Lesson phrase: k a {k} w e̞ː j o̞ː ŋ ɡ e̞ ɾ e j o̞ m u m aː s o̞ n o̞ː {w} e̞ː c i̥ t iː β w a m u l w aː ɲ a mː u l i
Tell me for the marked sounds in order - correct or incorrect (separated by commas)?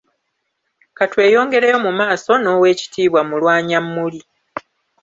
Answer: incorrect, correct